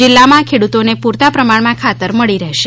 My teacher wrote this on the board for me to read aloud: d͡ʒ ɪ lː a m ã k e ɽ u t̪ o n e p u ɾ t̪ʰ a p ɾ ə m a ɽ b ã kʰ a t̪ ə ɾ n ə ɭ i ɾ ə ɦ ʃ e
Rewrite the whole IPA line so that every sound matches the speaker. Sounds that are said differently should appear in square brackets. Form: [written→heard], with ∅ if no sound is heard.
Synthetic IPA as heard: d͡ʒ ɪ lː a m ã [k→kʰ] e ɽ u t̪ o n e p u ɾ [t̪ʰ→t̪] a p ɾ ə m a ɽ [b→m] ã kʰ a t̪ ə ɾ [n→m] ə ɭ i ɾ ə ɦ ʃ e